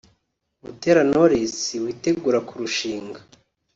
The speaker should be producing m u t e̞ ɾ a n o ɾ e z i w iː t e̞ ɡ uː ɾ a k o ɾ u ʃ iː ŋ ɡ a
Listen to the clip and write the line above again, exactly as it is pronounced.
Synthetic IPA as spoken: m u t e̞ ɾ a n o ɾ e s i w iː t e̞ ɡ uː ɾ a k u ɾ u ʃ iː ŋ ɡ a